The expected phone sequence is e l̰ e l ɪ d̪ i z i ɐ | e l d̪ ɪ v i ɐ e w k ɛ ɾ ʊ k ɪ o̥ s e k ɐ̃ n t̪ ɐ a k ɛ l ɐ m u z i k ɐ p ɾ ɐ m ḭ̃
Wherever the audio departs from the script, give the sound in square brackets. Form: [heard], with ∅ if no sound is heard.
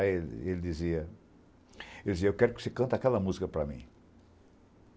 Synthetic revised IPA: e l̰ e l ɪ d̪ i z i ɐ | e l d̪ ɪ [z] i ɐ e w k ɛ ɾ ʊ k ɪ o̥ s e k ɐ̃ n t̪ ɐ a k ɛ l ɐ m u z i k ɐ p ɾ ɐ m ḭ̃